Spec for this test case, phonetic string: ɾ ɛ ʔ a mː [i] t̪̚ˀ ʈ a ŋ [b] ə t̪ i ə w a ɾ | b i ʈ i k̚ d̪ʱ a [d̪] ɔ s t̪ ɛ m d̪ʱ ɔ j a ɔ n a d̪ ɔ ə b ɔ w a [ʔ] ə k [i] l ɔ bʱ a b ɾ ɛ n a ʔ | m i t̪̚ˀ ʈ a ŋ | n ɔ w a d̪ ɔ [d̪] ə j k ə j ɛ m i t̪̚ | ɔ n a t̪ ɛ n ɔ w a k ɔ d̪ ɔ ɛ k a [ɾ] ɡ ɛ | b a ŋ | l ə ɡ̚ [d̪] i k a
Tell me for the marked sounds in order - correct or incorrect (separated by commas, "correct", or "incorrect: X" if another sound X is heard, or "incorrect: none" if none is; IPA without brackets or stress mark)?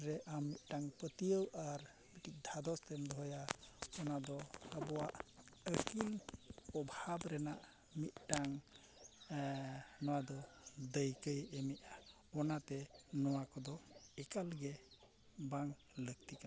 correct, incorrect: p, correct, correct, correct, correct, incorrect: l, incorrect: t̪